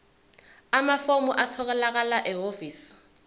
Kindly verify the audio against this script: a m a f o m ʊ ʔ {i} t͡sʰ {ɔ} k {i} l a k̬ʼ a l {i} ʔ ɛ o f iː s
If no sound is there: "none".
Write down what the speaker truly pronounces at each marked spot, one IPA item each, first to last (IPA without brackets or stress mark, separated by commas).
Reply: a, ɔ, ɛ, a